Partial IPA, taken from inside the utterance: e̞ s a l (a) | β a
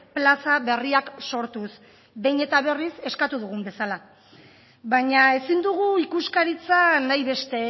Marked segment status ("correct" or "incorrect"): correct